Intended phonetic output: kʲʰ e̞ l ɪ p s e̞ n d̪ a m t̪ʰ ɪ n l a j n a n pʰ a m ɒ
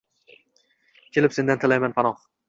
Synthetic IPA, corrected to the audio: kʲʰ e̞ l ɪ p s e̞ n d̪ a n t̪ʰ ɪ l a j m a n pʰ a n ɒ